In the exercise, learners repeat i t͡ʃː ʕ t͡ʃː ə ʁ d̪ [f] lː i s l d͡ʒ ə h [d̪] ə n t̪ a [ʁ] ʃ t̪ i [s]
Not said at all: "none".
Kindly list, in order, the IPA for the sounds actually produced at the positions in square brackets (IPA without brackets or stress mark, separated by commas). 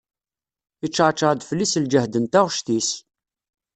f, d̪, ʁ, s